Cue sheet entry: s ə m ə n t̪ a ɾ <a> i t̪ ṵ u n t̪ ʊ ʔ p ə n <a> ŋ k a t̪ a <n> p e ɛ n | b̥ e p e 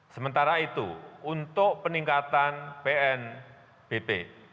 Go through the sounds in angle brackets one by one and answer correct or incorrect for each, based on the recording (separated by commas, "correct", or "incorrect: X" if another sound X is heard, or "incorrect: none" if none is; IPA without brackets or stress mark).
correct, incorrect: i, correct